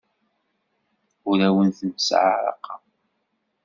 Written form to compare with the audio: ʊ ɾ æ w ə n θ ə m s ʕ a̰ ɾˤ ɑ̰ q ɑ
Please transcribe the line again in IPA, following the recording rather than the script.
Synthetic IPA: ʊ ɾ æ w ə n θ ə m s ʕ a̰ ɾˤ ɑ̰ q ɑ

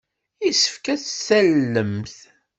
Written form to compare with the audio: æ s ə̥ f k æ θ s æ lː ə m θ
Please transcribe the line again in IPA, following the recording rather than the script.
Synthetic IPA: i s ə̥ f k æ θ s æ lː ə m θ

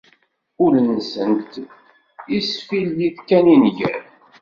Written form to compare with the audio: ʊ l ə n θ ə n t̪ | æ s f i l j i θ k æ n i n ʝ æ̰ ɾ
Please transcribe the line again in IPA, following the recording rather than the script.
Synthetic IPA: ʊ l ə n s ə n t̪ | i s f i l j i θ k æ n i n ʝ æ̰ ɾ

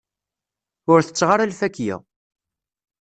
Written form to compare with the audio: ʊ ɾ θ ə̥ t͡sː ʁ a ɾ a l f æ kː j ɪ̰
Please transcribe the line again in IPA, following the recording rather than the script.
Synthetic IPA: ʊ ɾ θ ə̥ t͡sː ʁ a ɾ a l f æ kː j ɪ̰

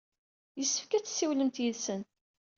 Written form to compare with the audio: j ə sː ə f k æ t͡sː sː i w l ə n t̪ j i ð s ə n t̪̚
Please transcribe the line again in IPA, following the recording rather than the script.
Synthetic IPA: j ə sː ə f k æ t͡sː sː i w l ə m t̪ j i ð s ə n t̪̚

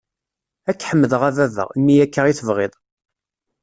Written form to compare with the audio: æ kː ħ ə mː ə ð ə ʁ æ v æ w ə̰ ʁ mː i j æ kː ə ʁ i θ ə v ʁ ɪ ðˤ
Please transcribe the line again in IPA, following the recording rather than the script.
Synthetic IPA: æ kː ħ ə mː ə ð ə ʁ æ v æ v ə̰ ʁ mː i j æ kː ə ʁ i θ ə v ʁ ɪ ðˤ

